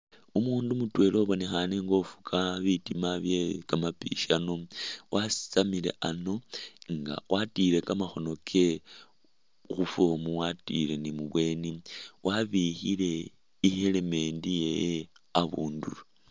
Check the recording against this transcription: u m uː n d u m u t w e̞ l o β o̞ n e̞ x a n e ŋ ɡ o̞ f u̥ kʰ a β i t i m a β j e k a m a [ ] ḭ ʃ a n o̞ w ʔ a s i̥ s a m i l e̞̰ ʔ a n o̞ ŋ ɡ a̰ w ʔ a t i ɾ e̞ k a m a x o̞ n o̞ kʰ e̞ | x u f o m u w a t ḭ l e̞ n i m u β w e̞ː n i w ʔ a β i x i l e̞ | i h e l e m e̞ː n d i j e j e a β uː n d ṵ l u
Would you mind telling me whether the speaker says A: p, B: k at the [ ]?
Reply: A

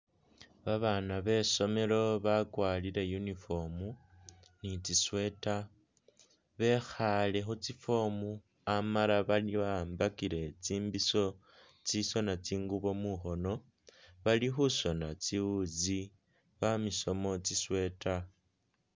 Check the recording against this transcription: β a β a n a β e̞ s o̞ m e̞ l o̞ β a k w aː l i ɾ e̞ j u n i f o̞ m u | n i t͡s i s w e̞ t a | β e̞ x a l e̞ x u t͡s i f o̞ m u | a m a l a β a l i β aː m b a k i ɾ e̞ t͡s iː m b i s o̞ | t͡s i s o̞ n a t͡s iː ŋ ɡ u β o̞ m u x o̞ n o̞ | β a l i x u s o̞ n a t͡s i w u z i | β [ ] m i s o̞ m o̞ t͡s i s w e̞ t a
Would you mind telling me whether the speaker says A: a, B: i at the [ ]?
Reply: A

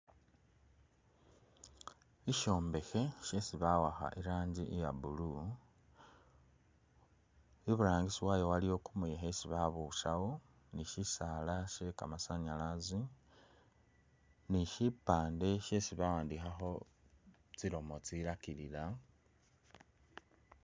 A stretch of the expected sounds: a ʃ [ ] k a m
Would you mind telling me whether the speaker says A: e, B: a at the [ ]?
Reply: A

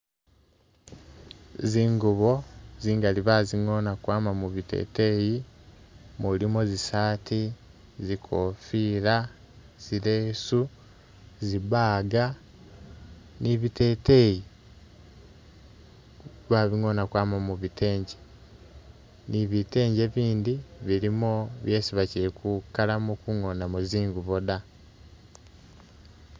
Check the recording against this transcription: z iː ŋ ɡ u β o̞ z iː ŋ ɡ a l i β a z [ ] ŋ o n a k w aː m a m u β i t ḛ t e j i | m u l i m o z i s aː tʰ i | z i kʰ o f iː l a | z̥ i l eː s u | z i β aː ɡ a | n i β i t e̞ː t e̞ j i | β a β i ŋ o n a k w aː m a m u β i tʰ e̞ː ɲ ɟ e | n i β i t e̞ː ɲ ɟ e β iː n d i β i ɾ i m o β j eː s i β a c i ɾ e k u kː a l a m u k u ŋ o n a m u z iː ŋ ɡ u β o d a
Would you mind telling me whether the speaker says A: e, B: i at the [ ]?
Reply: B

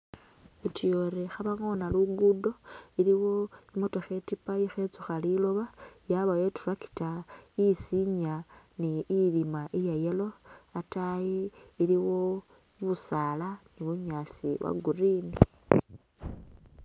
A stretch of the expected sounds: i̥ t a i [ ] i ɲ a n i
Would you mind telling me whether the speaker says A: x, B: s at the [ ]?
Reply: B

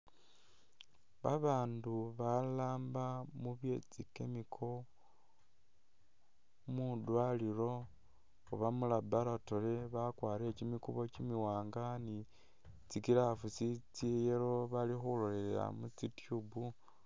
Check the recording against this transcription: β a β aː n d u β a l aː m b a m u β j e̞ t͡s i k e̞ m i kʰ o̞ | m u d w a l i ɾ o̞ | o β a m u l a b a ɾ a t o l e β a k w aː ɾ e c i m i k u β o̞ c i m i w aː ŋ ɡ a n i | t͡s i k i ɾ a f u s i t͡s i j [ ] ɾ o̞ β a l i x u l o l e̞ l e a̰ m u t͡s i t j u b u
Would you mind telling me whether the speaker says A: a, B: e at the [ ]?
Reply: B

